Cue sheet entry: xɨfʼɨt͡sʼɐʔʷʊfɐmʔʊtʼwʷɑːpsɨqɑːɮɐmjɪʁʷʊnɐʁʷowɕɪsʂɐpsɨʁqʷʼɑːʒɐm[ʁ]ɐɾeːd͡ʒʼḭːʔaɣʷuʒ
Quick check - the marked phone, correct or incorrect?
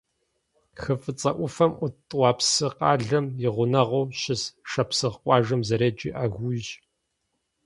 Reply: incorrect